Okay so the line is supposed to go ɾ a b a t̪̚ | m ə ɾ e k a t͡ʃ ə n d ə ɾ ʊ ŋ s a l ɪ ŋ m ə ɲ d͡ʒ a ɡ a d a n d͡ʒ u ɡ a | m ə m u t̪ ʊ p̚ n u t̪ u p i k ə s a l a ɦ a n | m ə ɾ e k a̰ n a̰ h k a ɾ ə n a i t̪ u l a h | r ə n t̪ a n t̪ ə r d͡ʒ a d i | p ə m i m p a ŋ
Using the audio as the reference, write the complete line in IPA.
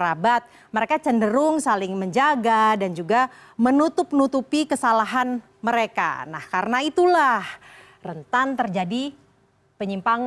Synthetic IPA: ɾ a b a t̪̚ | m ə ɾ e k a t͡ʃ ə n d ə ɾ ʊ ŋ s a l ɪ ŋ m ə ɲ d͡ʒ a ɡ a d a n d͡ʒ u ɡ a | m ə n u t̪ ʊ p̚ n u t̪ u p i k ə s a l a ɦ a n | m ə ɾ e k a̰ n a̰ h k a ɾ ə n a i t̪ u l a h | r ə n t̪ a n t̪ ə r d͡ʒ a d i | p ə ɲ i m p a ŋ